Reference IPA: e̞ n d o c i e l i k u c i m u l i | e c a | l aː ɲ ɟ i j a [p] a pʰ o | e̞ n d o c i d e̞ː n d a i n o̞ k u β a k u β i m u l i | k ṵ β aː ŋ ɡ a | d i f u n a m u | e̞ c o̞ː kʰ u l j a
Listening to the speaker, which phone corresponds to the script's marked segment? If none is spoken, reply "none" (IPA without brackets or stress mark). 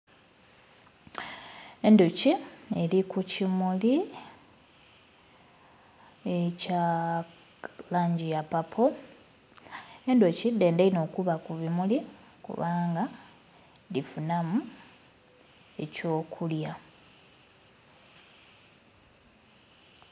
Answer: p